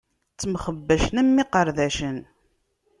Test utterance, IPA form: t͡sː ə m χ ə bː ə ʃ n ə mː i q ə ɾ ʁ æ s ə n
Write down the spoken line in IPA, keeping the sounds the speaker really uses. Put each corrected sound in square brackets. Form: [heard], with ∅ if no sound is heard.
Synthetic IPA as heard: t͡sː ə m χ ə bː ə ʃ n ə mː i q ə ɾ [ð] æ [ʃ] ə n